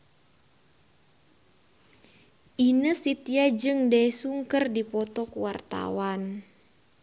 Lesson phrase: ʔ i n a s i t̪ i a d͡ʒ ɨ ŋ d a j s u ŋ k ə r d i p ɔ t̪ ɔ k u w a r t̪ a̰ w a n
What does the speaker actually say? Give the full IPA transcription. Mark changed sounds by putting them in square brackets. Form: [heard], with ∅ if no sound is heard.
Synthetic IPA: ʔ i n [ə] s i t̪ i a d͡ʒ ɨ ŋ d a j s u ŋ k ə r d i p ɔ t̪ ɔ k u w a r t̪ a̰ w a n